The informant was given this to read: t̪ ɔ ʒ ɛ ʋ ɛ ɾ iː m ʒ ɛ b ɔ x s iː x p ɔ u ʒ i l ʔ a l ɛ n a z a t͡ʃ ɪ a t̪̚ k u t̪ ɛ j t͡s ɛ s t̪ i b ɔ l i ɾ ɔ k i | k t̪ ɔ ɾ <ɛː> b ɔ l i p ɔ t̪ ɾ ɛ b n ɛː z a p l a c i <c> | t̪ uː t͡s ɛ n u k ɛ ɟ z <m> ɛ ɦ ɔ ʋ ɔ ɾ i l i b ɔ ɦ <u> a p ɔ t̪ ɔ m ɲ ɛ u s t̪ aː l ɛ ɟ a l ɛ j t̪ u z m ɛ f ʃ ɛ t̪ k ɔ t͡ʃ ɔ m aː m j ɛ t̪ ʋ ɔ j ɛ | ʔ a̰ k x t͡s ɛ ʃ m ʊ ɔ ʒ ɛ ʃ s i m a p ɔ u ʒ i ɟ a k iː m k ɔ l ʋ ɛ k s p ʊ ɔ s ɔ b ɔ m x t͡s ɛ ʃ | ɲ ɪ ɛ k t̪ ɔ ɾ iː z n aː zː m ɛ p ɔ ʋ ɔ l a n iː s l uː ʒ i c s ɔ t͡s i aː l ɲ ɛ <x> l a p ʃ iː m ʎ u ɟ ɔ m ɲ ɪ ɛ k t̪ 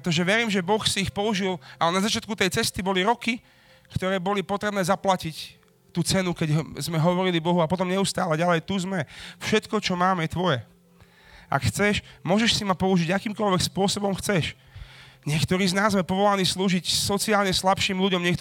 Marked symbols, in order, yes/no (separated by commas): yes, yes, yes, yes, no